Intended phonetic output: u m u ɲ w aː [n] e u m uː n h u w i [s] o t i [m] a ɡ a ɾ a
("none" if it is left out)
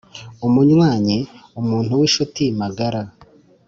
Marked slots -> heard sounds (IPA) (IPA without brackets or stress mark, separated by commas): ɲ, ʃ, m